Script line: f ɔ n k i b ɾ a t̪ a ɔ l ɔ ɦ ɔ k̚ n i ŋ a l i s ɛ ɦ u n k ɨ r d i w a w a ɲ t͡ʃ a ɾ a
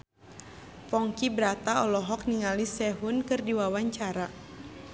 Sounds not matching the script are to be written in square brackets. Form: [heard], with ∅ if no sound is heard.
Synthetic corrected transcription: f ɔ [ŋ] k i b ɾ a t̪ a ɔ l ɔ ɦ ɔ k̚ n i ŋ a l i s ɛ ɦ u n k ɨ r d i w a w a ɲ t͡ʃ a ɾ a